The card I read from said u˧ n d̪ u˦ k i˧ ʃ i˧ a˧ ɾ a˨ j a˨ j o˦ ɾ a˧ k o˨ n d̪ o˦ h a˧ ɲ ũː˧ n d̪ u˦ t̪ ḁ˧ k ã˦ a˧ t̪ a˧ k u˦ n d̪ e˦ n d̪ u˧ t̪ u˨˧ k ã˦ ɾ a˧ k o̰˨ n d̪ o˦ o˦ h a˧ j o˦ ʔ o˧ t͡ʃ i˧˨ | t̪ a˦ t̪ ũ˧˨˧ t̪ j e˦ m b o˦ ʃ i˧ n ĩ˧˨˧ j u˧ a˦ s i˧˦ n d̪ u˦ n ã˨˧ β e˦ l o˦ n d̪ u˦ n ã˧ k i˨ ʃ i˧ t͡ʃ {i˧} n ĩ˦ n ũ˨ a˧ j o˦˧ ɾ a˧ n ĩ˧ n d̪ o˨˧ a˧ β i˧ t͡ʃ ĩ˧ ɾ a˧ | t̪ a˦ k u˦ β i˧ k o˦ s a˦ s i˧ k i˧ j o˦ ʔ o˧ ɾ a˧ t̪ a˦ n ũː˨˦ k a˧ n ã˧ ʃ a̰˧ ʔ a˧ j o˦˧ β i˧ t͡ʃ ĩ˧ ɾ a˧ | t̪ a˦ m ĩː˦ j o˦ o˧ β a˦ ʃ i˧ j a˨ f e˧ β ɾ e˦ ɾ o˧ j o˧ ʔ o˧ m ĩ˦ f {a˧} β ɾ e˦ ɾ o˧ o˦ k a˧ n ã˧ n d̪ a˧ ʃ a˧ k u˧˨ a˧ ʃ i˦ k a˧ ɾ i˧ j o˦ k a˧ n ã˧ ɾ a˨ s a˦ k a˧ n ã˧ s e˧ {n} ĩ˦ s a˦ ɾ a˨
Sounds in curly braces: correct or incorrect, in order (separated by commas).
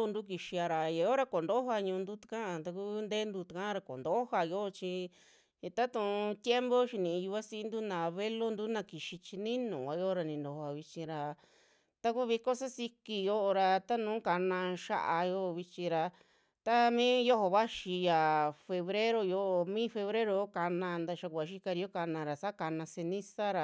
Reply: correct, incorrect, correct